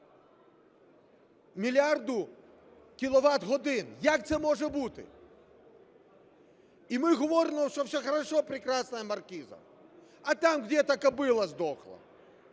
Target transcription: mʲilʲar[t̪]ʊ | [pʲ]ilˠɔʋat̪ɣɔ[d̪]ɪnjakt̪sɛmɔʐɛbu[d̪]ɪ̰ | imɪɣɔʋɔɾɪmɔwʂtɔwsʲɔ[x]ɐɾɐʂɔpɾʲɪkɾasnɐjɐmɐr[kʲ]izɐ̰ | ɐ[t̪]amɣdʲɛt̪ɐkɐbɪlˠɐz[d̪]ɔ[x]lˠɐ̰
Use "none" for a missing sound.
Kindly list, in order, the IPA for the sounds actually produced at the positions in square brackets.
d̪, kʲ, d̪, t̪, x, kʲ, t̪, d̪, x

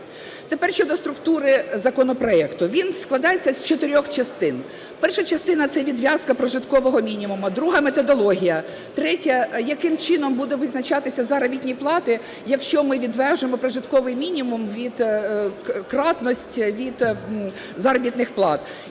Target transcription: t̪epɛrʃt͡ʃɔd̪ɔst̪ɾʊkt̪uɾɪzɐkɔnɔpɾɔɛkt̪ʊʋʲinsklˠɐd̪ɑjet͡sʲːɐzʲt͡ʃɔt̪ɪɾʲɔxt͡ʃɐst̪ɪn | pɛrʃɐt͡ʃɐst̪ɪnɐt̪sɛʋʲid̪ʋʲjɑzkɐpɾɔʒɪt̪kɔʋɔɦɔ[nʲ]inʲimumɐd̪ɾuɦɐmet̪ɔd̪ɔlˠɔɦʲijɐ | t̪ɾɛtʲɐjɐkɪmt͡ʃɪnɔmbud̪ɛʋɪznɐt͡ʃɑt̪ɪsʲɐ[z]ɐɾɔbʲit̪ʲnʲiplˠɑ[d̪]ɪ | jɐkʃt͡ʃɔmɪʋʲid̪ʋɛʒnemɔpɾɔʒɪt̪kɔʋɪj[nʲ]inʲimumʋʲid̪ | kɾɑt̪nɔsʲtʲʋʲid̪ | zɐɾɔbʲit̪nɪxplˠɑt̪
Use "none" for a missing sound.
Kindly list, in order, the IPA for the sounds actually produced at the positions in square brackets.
mʲ, z, t̪, mʲ

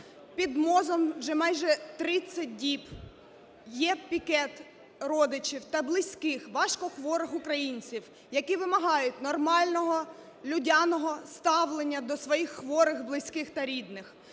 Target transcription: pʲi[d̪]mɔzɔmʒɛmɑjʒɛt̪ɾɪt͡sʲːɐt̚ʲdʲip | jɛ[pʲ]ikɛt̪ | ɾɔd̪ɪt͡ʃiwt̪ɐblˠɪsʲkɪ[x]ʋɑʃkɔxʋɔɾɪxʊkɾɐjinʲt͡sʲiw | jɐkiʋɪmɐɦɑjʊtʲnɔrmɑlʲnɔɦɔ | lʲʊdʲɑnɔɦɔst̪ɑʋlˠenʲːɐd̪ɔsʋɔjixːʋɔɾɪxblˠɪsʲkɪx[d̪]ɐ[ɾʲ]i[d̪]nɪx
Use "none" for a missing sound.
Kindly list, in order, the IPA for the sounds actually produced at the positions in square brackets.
d̪, pʲ, x, t̪, ɾʲ, d̪

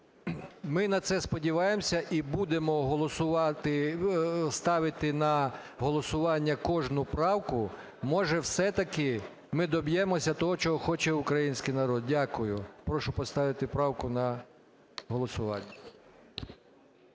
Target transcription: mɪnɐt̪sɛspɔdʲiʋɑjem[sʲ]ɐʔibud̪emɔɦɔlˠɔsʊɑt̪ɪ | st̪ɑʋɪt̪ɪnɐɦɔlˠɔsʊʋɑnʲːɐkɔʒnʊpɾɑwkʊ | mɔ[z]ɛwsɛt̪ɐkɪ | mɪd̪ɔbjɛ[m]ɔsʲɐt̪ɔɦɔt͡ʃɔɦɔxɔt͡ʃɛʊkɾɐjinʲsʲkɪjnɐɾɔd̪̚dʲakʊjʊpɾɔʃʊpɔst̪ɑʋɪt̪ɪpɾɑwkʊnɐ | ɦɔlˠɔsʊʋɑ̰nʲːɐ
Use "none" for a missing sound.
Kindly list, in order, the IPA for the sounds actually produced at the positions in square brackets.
sʲ, ʒ, m

